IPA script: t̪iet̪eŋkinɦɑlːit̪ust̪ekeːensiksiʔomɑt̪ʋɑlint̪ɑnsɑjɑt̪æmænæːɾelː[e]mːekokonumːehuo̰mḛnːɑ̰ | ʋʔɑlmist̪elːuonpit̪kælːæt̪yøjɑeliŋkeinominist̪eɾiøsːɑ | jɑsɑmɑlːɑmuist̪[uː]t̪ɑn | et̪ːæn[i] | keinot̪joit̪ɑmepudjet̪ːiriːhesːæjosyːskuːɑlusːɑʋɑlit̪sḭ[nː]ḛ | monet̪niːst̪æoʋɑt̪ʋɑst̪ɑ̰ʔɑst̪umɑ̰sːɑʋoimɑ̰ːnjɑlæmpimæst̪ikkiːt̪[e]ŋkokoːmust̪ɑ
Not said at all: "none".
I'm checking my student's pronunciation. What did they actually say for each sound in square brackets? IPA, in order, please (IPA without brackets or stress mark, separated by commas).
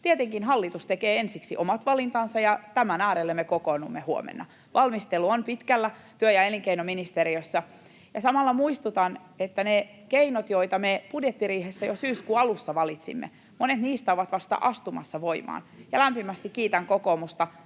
e, u, e, mː, æ